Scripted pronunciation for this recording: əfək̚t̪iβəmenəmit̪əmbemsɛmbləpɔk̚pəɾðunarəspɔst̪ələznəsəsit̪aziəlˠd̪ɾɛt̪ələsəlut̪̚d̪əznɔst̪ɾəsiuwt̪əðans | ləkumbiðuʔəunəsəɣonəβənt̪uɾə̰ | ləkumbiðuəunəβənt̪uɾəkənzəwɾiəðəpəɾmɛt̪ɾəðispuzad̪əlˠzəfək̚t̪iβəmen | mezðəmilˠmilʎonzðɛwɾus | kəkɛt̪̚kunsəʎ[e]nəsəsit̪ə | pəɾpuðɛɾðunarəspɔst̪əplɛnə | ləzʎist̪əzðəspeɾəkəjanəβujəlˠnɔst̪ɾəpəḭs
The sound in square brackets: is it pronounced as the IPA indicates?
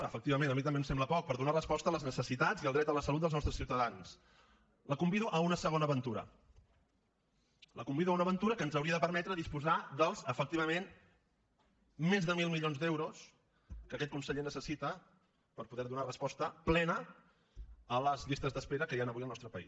yes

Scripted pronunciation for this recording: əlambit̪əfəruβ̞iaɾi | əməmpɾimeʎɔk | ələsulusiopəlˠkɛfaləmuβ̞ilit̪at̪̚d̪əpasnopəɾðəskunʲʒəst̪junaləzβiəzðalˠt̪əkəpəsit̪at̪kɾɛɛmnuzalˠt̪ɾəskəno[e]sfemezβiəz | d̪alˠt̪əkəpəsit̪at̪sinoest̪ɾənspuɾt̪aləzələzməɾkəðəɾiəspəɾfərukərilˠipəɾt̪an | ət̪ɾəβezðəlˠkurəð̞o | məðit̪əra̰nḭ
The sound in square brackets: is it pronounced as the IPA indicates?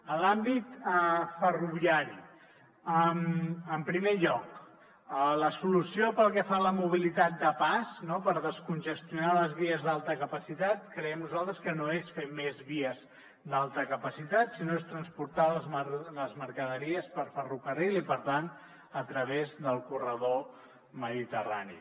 yes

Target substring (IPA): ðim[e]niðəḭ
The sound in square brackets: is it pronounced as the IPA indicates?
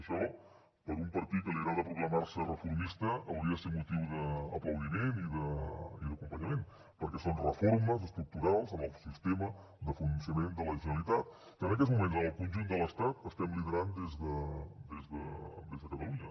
yes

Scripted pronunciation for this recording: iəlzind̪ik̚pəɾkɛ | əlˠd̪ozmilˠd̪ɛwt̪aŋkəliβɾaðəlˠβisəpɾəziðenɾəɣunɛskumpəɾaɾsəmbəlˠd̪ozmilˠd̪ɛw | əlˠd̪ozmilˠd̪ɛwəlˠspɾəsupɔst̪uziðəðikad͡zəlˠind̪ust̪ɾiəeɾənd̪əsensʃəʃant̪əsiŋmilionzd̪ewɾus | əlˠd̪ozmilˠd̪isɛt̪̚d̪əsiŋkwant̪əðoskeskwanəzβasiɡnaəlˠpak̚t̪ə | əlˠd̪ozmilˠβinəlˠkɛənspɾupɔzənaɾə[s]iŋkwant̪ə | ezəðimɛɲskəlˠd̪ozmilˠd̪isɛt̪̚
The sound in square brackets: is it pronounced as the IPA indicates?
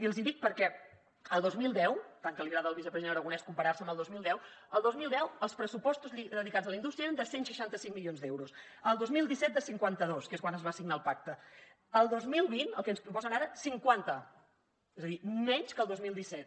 yes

